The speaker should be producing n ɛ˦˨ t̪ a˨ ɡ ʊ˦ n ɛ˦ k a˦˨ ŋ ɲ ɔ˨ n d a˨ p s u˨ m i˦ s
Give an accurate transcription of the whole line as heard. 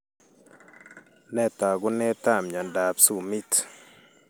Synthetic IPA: n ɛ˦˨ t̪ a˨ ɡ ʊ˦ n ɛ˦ t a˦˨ m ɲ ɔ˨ n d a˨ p s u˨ m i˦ t